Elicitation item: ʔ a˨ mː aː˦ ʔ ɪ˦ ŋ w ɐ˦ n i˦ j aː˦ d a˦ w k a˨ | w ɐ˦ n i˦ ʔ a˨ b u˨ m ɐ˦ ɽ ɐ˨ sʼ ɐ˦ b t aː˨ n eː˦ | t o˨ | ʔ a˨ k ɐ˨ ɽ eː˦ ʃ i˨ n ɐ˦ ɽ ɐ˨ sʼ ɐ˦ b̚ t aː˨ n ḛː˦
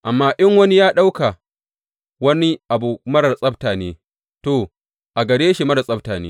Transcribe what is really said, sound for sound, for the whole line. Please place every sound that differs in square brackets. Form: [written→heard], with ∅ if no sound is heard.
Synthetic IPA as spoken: ʔ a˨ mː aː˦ ʔ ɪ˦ ŋ w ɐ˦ n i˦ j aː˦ [d→ɗ] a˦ w k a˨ | w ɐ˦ n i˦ ʔ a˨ b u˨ m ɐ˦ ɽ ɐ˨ sʼ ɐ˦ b t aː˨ n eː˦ | t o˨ | ʔ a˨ [k→ɡ] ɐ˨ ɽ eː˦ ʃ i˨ [n→m] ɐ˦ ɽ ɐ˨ sʼ ɐ˦ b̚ t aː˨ n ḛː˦